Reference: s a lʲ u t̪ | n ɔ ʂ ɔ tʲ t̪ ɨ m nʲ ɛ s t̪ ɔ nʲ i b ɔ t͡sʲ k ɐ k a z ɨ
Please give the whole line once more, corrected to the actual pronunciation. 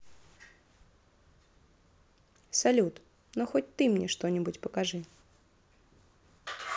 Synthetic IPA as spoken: s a lʲ u t̪ | n ɔ x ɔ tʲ t̪ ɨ m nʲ ɛ ʂ t̪ ɔ nʲ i b u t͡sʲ p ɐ k a ʐ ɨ

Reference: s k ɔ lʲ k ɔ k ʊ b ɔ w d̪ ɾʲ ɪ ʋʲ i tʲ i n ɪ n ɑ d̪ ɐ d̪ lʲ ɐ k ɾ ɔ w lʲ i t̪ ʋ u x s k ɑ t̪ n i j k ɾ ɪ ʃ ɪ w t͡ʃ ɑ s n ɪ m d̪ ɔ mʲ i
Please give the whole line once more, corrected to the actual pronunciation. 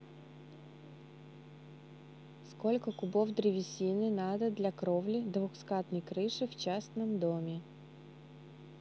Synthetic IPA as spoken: s k ɔ lʲ k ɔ k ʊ b ɔ w d̪ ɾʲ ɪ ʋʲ i sʲ i n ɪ n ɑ d̪ ɐ d̪ lʲ ɐ k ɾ ɔ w lʲ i d̪ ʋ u x s k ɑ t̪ n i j k ɾ ɪ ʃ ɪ w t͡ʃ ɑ s n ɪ m d̪ ɔ mʲ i

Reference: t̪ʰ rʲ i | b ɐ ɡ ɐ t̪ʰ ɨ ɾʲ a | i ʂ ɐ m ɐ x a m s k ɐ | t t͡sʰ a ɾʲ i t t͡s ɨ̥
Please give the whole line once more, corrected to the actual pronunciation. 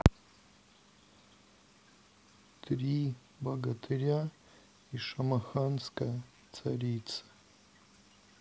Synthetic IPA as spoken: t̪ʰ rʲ i | b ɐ ɡ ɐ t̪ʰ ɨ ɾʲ a | i ʂ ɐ m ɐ x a n s k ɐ | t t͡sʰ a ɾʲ i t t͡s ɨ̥

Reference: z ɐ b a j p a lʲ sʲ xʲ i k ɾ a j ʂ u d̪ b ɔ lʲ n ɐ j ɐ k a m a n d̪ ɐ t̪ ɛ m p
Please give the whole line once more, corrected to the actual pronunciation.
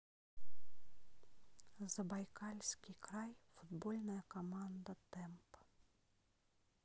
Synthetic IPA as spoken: z ɐ b a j k a lʲ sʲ kʲ i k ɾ a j f u d̪ b ɔ lʲ n ɐ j ɐ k a m a n d̪ ɐ t̪ ɛ m p

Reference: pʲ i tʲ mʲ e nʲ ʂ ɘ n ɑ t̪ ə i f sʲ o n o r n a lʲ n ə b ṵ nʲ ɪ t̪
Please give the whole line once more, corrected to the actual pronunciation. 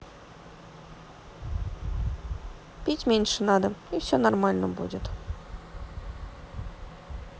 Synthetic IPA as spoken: pʲ i tʲ mʲ e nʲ ʂ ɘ n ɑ d̪ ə i f sʲ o n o r m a lʲ n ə b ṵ dʲ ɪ t̪

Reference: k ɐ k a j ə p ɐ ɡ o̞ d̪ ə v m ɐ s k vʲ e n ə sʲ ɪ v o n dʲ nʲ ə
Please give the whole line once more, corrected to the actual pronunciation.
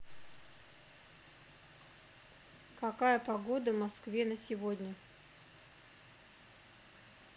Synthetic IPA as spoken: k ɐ k a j ə p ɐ ɡ o̞ d̪ ə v m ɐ s k vʲ e n ə sʲ ɪ v o dʲ nʲ ə

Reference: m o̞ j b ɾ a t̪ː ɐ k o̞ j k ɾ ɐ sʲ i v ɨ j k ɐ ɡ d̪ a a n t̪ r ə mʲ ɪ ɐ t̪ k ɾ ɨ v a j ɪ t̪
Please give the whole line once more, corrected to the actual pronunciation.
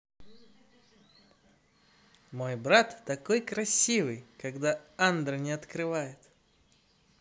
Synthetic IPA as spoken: m o̞ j b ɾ a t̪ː ɐ k o̞ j k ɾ ɐ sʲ i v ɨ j k ɐ ɡ d̪ a a n d̪ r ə nʲ ɪ ɐ t̪ k ɾ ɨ v a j ɪ t̪

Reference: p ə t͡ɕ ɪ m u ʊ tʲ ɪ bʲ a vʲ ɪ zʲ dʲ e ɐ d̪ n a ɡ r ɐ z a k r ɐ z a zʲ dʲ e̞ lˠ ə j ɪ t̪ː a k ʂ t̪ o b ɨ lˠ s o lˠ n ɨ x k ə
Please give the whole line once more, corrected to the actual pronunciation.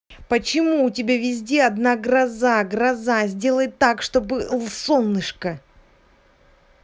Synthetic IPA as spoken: p ə t͡ɕ ɪ m u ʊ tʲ ɪ bʲ a vʲ ɪ zʲ dʲ e ɐ d̪ n a ɡ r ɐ z a ɡ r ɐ z a zʲ dʲ e̞ lˠ ə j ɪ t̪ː a k ʂ t̪ o b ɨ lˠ s o lˠ n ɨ ʂ k ə

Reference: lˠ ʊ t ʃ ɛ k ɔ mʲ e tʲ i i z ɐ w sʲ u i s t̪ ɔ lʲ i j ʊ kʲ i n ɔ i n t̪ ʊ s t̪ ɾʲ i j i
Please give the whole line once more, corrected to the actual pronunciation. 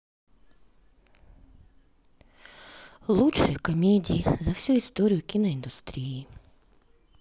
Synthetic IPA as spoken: lˠ u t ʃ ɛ k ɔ mʲ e dʲ i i z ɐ w sʲ u i s t̪ ɔ ɾʲ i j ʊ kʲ i n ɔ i n d̪ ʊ s t̪ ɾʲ i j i

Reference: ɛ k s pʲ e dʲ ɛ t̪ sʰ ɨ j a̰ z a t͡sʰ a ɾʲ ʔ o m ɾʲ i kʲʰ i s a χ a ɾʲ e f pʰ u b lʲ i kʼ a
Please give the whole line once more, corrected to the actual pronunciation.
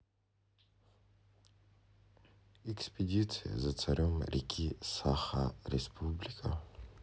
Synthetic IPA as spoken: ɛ k s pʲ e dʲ i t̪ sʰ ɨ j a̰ z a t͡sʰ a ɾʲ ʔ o m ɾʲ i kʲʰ i s a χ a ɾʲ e s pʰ u b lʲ i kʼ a

